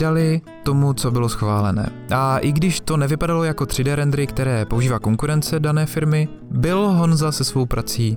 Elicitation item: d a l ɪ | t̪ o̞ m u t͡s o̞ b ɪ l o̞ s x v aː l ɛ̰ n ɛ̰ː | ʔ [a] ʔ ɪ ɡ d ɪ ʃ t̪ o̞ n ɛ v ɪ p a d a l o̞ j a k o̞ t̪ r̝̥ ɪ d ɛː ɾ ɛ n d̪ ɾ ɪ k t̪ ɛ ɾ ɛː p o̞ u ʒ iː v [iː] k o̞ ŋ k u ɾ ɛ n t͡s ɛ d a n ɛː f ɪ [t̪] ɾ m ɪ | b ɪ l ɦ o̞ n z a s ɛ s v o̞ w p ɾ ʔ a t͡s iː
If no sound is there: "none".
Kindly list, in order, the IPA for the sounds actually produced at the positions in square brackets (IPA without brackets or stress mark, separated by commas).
a, aː, none